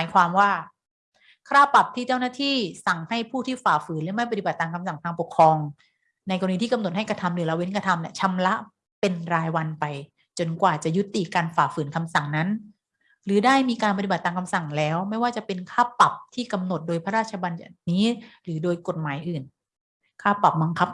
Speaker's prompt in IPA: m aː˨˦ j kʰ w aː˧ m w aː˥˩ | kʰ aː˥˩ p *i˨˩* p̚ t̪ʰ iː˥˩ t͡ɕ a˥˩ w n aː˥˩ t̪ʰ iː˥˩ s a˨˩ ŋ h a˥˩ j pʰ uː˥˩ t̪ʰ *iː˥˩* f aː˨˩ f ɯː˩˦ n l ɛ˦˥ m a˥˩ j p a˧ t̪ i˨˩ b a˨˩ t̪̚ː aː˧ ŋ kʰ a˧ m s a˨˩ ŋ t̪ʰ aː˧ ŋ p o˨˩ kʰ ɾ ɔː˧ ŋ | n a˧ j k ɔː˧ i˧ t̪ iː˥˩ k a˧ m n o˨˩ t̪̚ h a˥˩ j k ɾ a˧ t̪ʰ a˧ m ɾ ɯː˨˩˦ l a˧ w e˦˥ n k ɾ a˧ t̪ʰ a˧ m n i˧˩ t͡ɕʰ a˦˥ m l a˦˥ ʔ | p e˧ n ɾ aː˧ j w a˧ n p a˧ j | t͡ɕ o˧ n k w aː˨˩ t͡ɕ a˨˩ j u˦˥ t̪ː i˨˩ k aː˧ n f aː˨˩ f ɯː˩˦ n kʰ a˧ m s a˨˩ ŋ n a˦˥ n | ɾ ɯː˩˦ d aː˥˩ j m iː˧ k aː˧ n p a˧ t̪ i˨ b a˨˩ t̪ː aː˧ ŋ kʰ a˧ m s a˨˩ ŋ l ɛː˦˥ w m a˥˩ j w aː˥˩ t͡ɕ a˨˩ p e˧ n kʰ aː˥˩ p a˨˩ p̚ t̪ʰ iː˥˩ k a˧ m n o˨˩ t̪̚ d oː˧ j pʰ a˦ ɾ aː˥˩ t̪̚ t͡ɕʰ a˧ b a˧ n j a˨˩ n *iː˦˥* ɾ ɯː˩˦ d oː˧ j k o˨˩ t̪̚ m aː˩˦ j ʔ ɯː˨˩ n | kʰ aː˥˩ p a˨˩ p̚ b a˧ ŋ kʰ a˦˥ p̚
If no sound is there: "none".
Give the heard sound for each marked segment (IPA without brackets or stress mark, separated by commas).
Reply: a˨˩, iː˥˩, iː˦˥